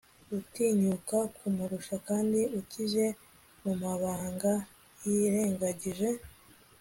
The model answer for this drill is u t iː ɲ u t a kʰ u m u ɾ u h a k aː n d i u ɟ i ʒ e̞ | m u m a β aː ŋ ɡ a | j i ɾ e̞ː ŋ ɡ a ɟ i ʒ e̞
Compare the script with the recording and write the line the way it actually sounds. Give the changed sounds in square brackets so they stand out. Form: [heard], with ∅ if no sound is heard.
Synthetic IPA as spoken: u t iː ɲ u [k] a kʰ u m u ɾ u [ʃ] a k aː n d i u [c] i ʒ e̞ | m u m a β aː ŋ ɡ a | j i ɾ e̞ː ŋ ɡ a ɟ i ʒ e̞